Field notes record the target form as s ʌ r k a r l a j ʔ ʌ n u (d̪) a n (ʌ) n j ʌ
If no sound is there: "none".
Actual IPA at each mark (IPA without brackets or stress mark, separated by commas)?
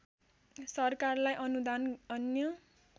d̪, ʌ